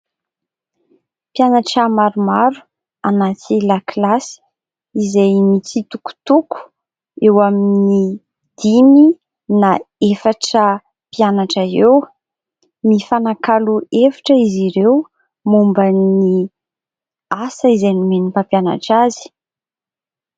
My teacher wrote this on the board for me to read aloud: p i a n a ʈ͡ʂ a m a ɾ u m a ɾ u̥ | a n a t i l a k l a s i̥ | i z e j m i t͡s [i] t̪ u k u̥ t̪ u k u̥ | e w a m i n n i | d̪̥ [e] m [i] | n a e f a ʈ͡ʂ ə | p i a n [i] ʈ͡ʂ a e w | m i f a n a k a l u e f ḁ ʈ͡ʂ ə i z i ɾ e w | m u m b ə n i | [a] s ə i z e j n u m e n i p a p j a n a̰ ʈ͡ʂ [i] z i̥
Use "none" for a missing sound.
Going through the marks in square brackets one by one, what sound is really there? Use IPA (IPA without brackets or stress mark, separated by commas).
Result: i, i, i, a, a, a